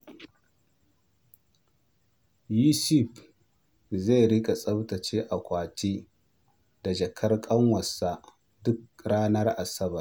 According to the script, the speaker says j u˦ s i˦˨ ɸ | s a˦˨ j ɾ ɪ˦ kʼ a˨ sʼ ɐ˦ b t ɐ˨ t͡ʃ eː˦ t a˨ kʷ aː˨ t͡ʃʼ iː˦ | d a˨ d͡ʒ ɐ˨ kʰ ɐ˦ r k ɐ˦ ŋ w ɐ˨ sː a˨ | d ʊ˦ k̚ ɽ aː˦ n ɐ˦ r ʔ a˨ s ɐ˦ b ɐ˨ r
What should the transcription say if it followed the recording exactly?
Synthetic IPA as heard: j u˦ s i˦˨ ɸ | z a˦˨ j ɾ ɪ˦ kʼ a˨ sʼ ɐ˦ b t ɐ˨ t͡ʃ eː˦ ʔ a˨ kʷ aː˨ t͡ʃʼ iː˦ | d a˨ d͡ʒ ɐ˨ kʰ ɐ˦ r kʼ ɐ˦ ŋ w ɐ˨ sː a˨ | d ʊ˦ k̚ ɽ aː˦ n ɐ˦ r ʔ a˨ s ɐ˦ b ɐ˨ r